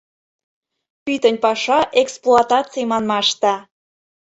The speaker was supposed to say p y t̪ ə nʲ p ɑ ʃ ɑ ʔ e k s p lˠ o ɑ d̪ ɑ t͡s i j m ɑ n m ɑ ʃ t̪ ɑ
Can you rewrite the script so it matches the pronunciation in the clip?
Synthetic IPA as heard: p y t̪ ə nʲ p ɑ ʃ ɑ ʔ e k s p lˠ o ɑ t̪ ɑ t͡s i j m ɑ n m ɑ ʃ t̪ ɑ